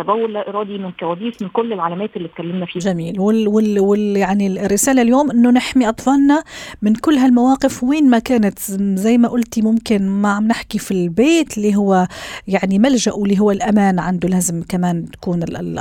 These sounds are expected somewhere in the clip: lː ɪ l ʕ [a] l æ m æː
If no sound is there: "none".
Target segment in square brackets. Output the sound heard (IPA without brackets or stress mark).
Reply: a